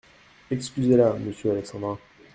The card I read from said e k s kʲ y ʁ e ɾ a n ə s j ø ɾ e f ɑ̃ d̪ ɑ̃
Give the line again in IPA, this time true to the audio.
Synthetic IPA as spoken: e k s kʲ y z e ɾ a m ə s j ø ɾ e s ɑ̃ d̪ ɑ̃